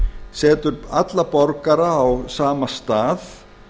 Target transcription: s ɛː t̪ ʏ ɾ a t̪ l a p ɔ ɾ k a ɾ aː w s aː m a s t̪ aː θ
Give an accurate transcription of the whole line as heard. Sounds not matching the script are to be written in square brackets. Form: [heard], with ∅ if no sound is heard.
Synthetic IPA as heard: s ɛː t̪ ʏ ɾ a t̪ l a p ɔ ɾ k a ɾ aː w s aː m a s t̪ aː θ